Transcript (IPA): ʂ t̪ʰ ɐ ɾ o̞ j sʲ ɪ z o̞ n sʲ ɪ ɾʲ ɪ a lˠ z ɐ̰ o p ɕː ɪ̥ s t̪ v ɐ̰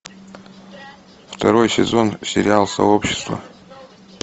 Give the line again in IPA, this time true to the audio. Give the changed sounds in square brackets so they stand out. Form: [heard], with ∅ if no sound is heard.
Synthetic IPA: [f] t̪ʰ ɐ ɾ o̞ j sʲ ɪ z o̞ n sʲ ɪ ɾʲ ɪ a lˠ [s] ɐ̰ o p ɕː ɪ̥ s t̪ v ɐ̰